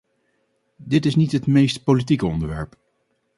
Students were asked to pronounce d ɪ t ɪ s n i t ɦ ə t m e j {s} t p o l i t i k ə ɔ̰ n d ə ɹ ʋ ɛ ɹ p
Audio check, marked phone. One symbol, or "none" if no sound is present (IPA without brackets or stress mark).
s